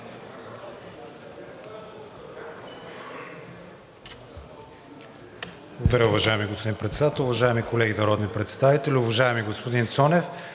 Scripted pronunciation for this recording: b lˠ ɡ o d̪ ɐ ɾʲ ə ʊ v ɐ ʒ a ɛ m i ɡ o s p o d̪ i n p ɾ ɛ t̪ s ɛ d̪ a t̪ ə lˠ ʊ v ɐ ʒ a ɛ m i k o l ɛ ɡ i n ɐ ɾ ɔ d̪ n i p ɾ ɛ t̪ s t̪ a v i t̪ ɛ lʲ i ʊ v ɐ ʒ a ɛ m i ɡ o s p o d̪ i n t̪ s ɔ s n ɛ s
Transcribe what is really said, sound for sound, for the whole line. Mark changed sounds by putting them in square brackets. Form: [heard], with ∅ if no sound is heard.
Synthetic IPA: b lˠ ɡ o d̪ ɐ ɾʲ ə ʊ v ɐ ʒ a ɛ m i ɡ o s p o d̪ i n p ɾ ɛ t̪ s ɛ d̪ a t̪ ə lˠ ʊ v ɐ ʒ a ɛ m i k o l ɛ ɡ i n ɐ ɾ ɔ d̪ n i p ɾ ɛ t̪ s t̪ a v i t̪ ɛ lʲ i ʊ v ɐ ʒ a ɛ m i ɡ o s p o d̪ i n t̪ s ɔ [∅] n ɛ [f]

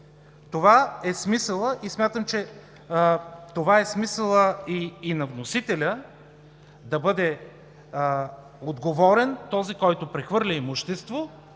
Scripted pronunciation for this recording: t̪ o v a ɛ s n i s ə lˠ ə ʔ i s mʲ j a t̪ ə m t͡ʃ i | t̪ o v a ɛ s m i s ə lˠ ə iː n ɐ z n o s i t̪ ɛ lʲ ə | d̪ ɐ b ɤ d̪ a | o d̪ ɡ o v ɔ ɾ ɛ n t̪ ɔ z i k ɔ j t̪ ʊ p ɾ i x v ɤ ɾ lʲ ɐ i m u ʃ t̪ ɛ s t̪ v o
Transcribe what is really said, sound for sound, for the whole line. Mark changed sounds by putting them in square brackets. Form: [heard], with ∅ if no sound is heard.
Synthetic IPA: t̪ o v a ɛ s [m] i s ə lˠ ə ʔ i s mʲ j a t̪ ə m t͡ʃ [ɛ] | t̪ o v a ɛ s m i s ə lˠ ə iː n ɐ [v] n o s i t̪ ɛ lʲ ə | d̪ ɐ b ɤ d̪ [ɛ] | o d̪ ɡ o v ɔ ɾ ɛ n t̪ ɔ z i k ɔ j t̪ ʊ p ɾ [ɛ] x v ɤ ɾ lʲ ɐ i m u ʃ t̪ ɛ s t̪ v o

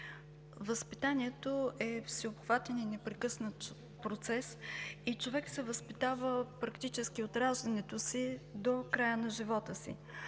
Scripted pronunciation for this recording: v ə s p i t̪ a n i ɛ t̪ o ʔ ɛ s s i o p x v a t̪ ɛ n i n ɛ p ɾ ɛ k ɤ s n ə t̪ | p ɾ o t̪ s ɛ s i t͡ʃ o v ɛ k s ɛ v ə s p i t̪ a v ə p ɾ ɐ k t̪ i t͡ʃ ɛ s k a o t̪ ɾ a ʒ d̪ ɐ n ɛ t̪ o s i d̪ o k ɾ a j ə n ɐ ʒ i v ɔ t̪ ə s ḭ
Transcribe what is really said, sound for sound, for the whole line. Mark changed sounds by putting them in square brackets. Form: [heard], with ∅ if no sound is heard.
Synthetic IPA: v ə s p i t̪ a n i ɛ t̪ o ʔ ɛ [f] s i o p x v a t̪ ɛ n i n ɛ p ɾ ɛ k ɤ s n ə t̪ | p ɾ o t̪ s ɛ s i t͡ʃ o v ɛ k s ɛ v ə s p i t̪ a v ə p ɾ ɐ k t̪ i t͡ʃ ɛ s k [i] o t̪ ɾ a ʒ d̪ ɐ n ɛ t̪ o s i d̪ o k ɾ a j ə n ɐ ʒ i v ɔ t̪ ə s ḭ

